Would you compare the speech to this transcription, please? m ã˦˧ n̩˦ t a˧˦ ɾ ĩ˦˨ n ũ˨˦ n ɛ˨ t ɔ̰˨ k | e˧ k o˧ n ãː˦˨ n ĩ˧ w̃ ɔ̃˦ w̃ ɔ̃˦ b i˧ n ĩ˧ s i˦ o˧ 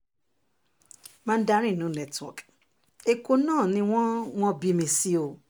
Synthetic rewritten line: m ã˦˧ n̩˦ d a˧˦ ɾ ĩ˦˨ n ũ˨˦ n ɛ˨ t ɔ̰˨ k | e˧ k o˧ n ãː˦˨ n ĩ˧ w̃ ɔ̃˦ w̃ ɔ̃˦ b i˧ m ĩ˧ s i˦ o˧

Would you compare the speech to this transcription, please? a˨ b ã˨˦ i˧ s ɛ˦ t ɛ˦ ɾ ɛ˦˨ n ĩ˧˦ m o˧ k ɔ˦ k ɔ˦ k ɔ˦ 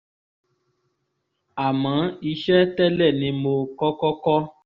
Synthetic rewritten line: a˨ m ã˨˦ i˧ ʃ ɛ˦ t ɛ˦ l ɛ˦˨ n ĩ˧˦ m o˧ k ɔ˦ k ɔ˦ k ɔ˦

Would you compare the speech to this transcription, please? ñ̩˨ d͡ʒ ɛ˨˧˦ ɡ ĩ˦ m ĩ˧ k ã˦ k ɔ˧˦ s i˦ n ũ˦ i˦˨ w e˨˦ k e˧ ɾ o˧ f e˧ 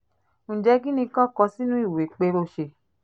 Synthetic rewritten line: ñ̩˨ d͡ʒ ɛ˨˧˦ ɡ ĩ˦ n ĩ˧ k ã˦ k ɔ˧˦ s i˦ n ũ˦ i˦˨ w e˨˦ k͡p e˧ ɾ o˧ ʃ e˧

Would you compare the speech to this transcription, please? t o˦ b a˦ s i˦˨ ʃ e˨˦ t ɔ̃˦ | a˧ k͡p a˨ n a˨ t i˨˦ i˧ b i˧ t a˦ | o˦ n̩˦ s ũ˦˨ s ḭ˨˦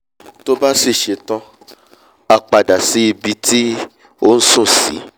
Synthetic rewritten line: t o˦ b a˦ s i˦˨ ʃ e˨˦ t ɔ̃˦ | a˧ k͡p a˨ d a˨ s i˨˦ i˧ b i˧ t i˦ | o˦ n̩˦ s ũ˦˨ s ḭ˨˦

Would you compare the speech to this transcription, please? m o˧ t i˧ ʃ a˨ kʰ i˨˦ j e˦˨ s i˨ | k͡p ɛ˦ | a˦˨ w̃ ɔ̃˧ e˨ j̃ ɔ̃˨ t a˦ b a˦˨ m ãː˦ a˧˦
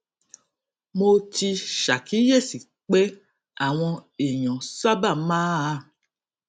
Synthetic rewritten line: m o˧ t i˧ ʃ a˨ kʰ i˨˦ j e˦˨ s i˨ | k͡p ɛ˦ | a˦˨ w̃ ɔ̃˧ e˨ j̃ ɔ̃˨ s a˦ b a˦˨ m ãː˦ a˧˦

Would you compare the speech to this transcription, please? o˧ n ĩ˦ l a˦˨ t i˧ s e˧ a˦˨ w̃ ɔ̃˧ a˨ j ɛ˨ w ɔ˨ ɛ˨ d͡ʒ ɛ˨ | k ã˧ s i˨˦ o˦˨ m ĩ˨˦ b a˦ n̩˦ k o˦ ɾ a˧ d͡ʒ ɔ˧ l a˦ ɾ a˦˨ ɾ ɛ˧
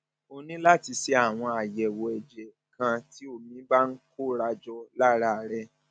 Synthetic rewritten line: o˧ n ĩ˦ l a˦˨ t i˧ s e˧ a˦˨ w̃ ɔ̃˧ a˨ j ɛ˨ w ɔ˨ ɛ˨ d͡ʒ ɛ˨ | k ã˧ t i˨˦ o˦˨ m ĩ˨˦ b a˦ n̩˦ k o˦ ɾ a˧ d͡ʒ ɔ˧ l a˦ ɾ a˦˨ ɾ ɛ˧

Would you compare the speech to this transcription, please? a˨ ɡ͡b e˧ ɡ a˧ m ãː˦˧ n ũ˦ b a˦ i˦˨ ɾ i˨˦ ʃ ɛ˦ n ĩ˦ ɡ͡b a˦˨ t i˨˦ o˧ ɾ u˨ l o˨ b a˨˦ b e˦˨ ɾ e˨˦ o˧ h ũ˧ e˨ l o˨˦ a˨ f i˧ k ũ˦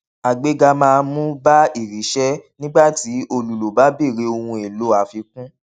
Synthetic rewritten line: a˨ ɡ͡b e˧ ɡ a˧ m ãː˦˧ m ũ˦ b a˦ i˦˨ ɾ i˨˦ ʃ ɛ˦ n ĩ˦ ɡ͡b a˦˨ t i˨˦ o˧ l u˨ l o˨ b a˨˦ b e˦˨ ɾ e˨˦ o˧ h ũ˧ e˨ l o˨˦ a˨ f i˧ k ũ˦

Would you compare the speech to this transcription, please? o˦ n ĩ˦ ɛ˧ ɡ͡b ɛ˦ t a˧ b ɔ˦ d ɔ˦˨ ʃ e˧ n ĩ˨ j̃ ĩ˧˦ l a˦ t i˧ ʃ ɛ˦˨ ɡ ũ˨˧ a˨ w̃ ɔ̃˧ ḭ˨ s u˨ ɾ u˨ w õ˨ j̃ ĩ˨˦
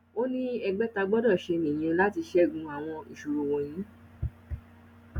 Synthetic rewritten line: o˦ n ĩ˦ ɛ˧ ɡ͡b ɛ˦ t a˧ ɡ͡b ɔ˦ d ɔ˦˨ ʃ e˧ n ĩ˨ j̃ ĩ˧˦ l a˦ t i˧ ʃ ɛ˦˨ ɡ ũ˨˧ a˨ w̃ ɔ̃˧ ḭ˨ ʃ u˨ ɾ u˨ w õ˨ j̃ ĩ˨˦

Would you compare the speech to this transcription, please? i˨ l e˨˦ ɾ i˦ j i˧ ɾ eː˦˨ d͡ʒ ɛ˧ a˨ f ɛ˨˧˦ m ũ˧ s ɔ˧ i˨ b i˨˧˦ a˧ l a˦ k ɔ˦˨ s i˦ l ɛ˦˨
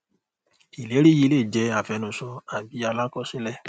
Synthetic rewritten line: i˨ l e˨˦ ɾ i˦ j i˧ l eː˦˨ d͡ʒ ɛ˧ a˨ f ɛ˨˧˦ n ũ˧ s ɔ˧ a˨ b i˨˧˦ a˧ l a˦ k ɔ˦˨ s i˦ l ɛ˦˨

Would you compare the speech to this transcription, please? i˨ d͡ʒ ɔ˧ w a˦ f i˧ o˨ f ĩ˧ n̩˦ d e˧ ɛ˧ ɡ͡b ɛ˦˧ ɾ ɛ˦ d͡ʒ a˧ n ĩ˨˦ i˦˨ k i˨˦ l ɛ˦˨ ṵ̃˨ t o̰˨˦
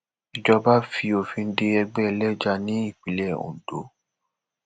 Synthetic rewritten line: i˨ d͡ʒ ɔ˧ b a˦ f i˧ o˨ f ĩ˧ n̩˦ d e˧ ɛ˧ ɡ͡b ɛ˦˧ l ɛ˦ d͡ʒ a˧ n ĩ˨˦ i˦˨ k͡p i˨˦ l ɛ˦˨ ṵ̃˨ d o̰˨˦

